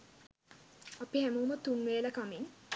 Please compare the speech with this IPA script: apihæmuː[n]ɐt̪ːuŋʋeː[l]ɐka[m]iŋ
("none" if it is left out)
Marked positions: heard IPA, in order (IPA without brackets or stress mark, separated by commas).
m, l, m